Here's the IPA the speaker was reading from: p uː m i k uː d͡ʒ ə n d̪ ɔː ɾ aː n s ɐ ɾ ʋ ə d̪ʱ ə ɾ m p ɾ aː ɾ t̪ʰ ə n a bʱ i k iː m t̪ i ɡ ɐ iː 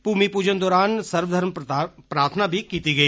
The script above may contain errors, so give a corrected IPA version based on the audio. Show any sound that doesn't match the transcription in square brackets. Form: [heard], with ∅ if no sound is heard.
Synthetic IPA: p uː m i [p] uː d͡ʒ ə n d̪ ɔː ɾ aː n s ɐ ɾ ʋ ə d̪ʱ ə ɾ m p ɾ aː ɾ t̪ʰ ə n a bʱ i k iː [∅] t̪ i ɡ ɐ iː

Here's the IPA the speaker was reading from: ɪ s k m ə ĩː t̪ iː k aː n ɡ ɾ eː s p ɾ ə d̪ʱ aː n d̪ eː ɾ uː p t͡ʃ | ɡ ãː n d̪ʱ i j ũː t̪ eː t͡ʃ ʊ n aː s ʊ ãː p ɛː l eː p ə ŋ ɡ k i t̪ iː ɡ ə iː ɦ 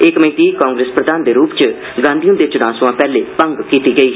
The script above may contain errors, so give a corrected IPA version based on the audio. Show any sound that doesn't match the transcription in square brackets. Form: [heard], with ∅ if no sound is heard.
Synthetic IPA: ɪ [∅] k m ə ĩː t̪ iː k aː [ŋ] ɡ ɾ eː s p ɾ ə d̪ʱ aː n d̪ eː ɾ uː p t͡ʃ | ɡ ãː n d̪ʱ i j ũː [d̪] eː t͡ʃ ʊ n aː s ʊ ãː p ɛː l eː p ə ŋ ɡ k [iː] t̪ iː ɡ ə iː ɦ

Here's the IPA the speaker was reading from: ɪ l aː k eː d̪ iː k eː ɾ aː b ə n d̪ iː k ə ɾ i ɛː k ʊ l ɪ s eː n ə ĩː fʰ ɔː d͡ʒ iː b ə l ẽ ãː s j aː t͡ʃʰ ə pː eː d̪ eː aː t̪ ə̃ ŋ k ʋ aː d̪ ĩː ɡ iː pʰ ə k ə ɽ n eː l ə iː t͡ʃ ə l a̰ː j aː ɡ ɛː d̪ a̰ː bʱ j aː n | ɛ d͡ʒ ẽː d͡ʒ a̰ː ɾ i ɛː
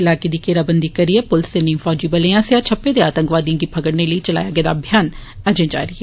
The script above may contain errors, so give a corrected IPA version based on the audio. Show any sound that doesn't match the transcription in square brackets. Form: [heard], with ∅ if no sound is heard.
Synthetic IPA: ɪ l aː k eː d̪ iː k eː ɾ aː b ə n d̪ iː k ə ɾ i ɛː [p] ʊ l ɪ s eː n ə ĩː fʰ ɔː d͡ʒ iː b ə l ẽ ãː s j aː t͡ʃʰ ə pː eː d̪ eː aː t̪ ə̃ ŋ k ʋ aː d̪ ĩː ɡ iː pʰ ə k ə ɽ n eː l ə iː t͡ʃ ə l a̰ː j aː ɡ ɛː d̪ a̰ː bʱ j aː n | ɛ d͡ʒ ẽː d͡ʒ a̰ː ɾ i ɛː

